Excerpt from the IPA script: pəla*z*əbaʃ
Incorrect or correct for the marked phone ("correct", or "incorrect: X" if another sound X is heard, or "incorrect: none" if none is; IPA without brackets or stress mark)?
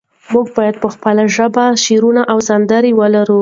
incorrect: ʒ